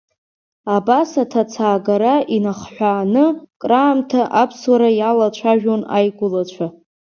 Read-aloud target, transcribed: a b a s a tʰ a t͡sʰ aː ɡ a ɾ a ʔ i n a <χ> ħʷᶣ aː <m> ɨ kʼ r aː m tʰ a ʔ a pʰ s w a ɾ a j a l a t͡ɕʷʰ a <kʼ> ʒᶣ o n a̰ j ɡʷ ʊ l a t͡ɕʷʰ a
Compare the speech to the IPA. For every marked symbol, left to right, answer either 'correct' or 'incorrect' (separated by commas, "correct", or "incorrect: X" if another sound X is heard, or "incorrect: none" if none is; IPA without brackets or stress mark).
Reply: correct, incorrect: n, incorrect: none